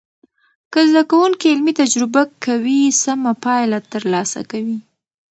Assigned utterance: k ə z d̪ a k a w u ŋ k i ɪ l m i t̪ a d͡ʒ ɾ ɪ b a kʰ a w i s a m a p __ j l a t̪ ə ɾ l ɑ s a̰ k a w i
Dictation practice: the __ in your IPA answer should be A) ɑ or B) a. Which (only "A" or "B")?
A